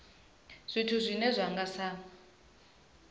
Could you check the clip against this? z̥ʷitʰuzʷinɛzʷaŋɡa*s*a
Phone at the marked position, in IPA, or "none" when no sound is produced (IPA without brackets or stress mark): s